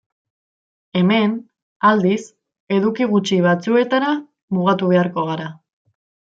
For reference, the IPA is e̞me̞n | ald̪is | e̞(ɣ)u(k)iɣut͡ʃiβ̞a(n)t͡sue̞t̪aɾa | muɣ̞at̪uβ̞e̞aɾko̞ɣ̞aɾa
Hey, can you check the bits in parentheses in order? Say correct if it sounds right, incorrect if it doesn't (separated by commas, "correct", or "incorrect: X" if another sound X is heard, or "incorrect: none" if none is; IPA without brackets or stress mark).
incorrect: ð, correct, incorrect: none